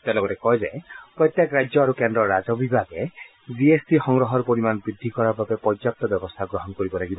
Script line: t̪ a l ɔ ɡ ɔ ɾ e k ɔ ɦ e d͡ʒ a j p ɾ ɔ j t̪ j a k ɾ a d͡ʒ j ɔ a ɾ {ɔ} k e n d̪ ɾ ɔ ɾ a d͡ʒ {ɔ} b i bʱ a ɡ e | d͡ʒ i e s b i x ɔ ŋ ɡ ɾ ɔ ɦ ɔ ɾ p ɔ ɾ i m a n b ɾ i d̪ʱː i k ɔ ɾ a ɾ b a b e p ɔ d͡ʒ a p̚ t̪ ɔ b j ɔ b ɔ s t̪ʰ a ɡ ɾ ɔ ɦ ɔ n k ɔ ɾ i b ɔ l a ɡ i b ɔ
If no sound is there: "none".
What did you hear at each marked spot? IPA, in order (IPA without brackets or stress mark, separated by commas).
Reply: u, ɔ